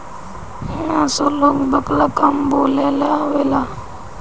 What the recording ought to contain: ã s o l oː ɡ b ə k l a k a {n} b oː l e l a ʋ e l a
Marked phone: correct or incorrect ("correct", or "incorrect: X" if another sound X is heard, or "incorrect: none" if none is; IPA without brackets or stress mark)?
incorrect: m